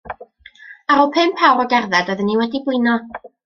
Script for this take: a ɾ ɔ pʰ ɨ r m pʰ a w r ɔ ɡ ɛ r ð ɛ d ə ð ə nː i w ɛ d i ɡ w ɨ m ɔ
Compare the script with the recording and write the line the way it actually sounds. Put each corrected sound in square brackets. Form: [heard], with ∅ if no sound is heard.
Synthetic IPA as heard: a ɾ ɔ pʰ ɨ [∅] m pʰ a w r ɔ ɡ ɛ r ð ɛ d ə ð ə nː i w ɛ d i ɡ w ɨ [n] ɔ